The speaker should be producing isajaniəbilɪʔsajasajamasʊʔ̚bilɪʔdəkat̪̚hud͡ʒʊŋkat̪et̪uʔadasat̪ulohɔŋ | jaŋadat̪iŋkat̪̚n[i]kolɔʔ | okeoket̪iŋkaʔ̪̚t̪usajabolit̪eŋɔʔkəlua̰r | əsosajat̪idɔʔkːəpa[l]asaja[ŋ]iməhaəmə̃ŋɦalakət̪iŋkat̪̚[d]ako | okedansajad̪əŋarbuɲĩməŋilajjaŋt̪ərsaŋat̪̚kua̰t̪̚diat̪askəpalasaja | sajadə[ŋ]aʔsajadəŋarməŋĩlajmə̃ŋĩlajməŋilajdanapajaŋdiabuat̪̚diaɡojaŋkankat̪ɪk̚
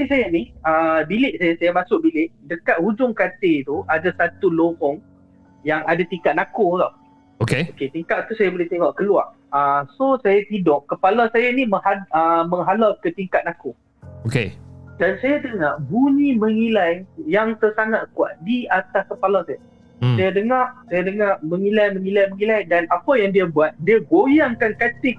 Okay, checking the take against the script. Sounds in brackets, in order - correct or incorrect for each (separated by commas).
incorrect, correct, incorrect, incorrect, correct